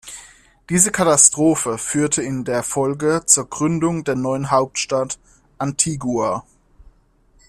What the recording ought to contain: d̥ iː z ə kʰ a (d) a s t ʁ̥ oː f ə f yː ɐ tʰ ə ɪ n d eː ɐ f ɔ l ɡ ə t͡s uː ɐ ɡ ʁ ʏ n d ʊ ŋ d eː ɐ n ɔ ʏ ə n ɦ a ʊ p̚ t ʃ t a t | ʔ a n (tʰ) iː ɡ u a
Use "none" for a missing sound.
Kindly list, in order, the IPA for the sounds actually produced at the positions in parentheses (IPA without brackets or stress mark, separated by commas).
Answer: t, tʰ